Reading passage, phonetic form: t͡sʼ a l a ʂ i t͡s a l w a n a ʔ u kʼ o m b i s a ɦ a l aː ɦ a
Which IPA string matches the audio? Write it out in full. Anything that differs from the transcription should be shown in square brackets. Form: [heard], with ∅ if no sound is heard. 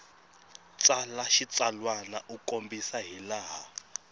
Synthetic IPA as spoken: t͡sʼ a l a [ʃ] i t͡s a l w a n a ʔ u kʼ o m b i s a ɦ [i] l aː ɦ a

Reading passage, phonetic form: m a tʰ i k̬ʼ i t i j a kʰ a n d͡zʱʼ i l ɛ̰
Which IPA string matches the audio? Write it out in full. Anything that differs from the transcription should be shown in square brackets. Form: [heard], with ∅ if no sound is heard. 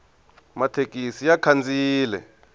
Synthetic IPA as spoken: m a tʰ [e] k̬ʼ i [s] i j a kʰ a n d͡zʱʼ [iː] l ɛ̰

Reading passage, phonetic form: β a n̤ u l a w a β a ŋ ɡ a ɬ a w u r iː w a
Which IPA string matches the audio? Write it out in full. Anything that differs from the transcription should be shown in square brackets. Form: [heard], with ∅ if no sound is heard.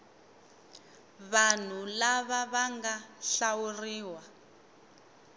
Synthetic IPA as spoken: β a n̤ u l a [β] a β a ŋ ɡ a ɬ a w u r iː w a

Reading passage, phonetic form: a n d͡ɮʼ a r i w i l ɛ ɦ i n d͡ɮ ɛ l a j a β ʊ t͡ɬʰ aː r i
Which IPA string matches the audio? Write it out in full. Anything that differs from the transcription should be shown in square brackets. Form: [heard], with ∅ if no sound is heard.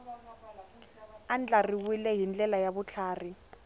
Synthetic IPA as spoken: a n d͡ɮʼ a r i w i l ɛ ɦ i n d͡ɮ ɛ l a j a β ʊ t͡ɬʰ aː r i

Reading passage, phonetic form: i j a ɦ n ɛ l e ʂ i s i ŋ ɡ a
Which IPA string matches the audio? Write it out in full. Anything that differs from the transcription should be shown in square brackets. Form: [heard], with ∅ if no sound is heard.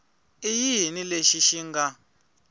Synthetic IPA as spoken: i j [i] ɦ n [i] l e [ʃ] i [ʃ] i ŋ ɡ a

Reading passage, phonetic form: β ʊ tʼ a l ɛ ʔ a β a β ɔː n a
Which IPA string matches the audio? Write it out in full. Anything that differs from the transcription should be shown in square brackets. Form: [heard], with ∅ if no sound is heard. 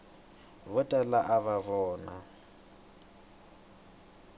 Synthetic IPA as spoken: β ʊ tʼ a l [a] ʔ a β a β ɔː n a

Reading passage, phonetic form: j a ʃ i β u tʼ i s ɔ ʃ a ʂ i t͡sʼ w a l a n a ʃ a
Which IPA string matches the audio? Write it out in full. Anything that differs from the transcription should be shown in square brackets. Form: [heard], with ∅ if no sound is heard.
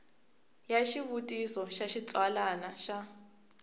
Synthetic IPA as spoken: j a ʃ i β u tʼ i s ɔ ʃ a [ʃ] i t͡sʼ w a l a n a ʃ a

